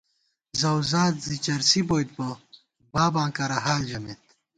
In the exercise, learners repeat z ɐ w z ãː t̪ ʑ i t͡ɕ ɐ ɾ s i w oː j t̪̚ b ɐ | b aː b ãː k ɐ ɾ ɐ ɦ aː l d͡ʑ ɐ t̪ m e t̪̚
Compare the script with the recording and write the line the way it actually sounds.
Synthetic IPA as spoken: z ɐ w z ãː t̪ z i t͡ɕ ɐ ɾ s i b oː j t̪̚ b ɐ | b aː b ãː k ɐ ɾ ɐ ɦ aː l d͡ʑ ɐ m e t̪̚